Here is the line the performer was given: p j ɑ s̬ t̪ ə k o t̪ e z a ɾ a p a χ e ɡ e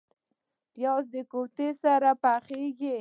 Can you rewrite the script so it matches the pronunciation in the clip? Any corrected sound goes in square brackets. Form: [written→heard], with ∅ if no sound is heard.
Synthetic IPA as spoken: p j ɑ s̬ [t̪→d̪] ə k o t̪ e [z→s] a ɾ a p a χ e ɡ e

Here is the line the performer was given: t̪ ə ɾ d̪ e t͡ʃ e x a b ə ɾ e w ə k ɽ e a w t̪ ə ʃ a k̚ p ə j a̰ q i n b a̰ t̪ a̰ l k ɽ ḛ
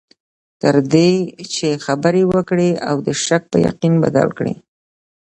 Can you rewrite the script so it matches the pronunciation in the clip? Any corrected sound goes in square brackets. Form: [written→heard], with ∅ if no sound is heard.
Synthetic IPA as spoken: t̪ ə ɾ d̪ e t͡ʃ e x a b ə ɾ e w ə k ɽ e a w [t̪→d̪] ə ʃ a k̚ p ə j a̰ q i n b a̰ [t̪→d̪] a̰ l k ɽ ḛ

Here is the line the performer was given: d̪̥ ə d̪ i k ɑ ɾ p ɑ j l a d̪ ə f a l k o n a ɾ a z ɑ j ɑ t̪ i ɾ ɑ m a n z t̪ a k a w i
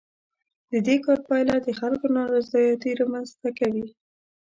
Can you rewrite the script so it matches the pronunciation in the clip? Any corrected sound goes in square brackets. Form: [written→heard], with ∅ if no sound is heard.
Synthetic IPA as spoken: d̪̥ ə d̪ [i→e] k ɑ ɾ p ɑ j l a d̪ ə [f→x] a l k o n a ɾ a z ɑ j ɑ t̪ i ɾ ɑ m a n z t̪ a k a w i

